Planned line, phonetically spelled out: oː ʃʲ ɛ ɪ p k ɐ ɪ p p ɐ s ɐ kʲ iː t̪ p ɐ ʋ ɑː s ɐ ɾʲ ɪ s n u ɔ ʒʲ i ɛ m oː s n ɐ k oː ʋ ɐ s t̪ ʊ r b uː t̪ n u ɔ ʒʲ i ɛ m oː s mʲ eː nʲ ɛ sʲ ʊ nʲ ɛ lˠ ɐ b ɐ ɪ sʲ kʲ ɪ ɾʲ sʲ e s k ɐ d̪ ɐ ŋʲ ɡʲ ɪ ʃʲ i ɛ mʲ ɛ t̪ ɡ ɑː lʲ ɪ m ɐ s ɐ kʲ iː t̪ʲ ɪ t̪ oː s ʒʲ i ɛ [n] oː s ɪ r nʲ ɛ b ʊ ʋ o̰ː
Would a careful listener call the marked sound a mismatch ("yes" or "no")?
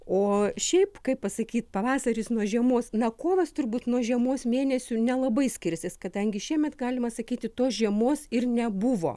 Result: yes